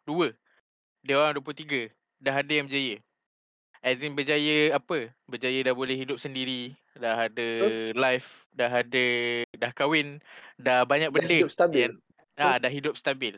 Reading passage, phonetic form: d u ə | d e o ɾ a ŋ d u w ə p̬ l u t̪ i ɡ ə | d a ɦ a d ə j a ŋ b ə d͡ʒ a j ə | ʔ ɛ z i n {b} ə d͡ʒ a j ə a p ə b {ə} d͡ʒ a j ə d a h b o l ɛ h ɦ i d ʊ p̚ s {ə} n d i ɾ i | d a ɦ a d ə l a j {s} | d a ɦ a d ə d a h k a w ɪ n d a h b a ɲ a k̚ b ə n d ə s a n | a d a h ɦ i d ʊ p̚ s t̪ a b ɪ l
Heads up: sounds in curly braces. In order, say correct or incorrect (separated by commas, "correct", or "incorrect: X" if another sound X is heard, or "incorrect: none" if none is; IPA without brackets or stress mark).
correct, correct, correct, incorrect: f